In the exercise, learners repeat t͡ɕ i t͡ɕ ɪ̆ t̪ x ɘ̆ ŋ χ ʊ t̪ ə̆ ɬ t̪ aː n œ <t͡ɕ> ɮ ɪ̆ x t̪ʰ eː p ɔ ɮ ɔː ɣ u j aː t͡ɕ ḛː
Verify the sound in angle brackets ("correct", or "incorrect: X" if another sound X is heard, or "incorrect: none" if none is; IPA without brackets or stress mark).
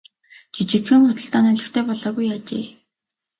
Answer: incorrect: none